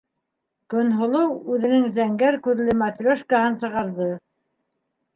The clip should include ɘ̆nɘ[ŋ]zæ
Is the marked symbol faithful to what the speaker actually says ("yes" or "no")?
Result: yes